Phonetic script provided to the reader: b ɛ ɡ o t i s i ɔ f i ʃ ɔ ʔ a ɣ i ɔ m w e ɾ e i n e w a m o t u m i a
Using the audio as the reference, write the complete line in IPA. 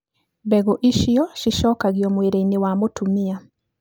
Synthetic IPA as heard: b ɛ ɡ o ʔ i ʃ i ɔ ʃ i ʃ ɔ k a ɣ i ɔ m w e ɾ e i n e w a m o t u m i a